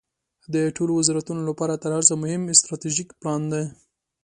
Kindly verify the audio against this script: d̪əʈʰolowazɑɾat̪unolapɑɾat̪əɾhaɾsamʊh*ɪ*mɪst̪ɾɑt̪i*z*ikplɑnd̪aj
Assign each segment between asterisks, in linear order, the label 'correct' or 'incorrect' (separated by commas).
correct, incorrect